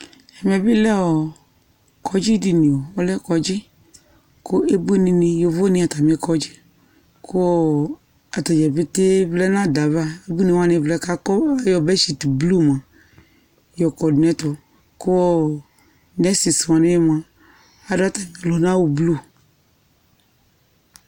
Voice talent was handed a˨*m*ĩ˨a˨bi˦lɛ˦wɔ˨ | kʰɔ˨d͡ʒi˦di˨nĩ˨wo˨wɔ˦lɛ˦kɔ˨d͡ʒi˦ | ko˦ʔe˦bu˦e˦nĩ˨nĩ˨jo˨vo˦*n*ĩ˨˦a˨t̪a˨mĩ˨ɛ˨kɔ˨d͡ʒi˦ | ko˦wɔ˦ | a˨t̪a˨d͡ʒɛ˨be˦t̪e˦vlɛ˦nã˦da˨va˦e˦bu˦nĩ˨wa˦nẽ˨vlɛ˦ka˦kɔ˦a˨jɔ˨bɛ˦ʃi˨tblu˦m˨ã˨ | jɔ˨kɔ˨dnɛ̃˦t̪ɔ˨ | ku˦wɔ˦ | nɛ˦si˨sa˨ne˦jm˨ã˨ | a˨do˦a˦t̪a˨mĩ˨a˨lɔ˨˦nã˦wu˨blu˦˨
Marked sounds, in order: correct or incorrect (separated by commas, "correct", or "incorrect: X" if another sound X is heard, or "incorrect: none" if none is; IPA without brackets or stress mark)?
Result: correct, correct